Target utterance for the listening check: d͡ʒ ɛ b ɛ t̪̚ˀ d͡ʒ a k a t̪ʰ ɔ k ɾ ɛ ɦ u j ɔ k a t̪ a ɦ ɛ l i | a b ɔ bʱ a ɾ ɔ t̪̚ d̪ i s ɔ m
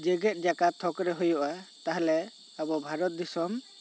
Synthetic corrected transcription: d͡ʒ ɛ ɡ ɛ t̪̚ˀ d͡ʒ a k a t̪ʰ ɔ k ɾ ɛ ɦ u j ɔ ʔ a t̪ a ɦ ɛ l ɛ | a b ɔ bʱ a ɾ ɔ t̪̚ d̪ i s ɔ m